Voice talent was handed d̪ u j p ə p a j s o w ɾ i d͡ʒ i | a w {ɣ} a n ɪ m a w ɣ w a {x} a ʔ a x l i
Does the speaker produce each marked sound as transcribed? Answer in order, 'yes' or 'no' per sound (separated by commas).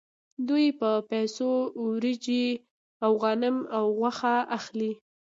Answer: yes, yes